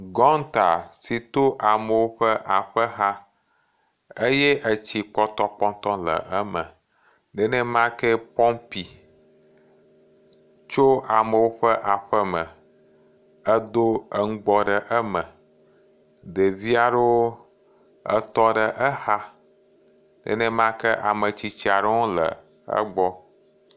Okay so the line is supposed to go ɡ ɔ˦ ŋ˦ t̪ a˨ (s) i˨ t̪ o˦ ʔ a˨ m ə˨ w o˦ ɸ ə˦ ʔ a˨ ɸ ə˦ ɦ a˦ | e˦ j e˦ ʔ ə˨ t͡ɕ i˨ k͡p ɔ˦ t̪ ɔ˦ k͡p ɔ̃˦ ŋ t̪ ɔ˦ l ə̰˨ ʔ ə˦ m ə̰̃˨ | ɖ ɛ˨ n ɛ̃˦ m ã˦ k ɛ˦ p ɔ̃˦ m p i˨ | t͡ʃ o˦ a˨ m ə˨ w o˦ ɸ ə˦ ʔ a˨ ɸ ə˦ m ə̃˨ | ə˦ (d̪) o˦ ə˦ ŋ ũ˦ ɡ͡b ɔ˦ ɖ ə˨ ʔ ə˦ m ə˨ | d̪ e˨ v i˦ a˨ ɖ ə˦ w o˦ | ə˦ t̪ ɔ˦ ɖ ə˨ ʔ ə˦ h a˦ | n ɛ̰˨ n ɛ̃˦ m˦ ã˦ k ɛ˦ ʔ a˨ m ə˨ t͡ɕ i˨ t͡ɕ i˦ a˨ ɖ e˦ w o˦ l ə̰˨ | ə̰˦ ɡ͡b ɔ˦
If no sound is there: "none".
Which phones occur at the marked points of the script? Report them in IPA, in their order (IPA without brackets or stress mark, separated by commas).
s, d̪